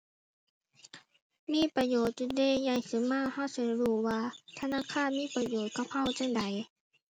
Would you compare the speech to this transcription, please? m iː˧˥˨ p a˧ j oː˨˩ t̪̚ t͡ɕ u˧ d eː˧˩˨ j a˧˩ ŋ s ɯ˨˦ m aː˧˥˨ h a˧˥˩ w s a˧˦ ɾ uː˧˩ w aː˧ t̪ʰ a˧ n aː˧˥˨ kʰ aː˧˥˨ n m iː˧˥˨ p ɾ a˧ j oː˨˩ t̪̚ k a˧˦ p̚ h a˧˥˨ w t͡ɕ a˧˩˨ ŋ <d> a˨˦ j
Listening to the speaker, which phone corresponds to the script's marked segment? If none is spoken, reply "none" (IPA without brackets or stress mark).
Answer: d